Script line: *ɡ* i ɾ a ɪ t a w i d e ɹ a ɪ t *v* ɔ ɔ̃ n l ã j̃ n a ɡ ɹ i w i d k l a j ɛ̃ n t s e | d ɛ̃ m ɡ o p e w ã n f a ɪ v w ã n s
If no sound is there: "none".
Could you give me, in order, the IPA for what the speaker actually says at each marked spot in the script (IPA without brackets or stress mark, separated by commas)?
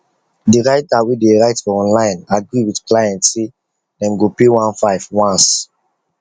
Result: d, f